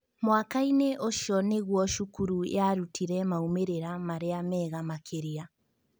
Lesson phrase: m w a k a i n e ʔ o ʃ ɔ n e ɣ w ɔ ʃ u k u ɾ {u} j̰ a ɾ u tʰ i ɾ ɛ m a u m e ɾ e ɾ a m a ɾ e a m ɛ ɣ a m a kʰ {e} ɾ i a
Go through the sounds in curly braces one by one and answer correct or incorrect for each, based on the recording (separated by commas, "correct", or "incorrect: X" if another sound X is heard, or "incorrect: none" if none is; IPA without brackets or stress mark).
correct, correct